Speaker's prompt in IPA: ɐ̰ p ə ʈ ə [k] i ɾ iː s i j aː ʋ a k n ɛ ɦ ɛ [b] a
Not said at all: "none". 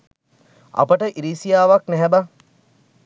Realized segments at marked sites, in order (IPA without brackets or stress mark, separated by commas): ʔ, b